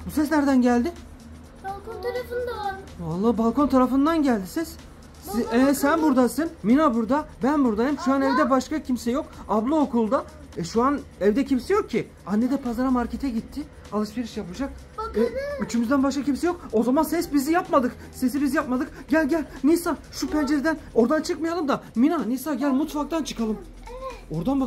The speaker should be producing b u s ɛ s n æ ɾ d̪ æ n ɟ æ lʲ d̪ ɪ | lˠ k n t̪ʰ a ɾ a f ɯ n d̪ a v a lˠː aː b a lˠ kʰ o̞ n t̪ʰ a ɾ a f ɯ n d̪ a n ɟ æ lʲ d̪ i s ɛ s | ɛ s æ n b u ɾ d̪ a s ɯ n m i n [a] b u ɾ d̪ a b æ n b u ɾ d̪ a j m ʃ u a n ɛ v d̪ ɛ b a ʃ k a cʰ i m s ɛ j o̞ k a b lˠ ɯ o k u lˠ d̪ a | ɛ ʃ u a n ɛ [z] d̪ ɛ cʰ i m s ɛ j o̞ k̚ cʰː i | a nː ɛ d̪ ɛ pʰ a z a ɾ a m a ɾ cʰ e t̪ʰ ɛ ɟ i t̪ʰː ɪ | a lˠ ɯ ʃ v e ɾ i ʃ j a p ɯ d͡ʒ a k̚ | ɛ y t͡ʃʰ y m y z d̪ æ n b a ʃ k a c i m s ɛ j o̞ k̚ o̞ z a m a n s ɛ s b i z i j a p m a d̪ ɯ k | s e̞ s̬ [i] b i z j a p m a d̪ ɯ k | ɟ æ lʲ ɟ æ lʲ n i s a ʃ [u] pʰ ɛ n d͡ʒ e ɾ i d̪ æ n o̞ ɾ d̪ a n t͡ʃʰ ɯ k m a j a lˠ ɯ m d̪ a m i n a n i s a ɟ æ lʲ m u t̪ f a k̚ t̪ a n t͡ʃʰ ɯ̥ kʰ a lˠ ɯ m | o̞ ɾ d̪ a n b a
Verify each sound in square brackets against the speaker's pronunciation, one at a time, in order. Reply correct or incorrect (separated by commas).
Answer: correct, incorrect, correct, correct